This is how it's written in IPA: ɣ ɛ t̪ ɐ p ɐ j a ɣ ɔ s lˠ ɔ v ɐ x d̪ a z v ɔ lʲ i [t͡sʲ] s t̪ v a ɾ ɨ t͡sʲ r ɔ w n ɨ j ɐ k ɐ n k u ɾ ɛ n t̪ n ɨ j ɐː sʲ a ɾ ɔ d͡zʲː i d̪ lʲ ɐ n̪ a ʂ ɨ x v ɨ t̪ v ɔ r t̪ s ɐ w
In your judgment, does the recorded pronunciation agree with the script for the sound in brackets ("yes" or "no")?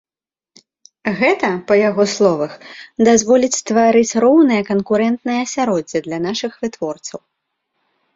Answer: yes